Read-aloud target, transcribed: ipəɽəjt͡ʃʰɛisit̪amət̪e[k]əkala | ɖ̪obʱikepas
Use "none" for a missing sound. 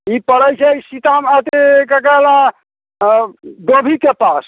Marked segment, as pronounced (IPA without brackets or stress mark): k